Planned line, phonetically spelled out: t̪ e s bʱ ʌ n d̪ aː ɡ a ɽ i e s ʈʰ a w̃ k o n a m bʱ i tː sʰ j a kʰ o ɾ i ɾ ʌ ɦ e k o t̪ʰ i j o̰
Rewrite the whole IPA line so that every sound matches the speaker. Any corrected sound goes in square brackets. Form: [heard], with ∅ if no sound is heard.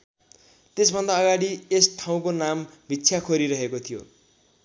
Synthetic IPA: t̪ e s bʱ ʌ n d̪ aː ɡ a ɽ i e s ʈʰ a w̃ k o n a m bʱ i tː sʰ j a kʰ o ɾ i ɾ ʌ ɦ e k o t̪ʰ i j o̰